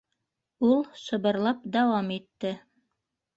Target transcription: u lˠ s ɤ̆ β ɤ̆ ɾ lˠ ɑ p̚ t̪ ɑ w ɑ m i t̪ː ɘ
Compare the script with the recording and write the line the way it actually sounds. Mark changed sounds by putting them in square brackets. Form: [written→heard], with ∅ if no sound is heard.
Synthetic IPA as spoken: u lˠ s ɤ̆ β ɤ̆ ɾ lˠ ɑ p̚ [t̪→d̪] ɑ w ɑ m i t̪ː ɘ